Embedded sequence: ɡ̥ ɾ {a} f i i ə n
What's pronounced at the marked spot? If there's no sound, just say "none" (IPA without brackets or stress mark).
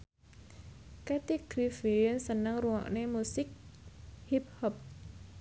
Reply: i